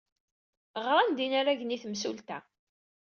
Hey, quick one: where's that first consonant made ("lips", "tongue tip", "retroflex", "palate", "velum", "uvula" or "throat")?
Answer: uvula